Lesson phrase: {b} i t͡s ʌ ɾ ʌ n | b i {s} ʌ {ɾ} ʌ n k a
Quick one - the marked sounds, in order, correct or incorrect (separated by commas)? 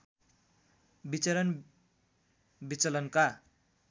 correct, incorrect, incorrect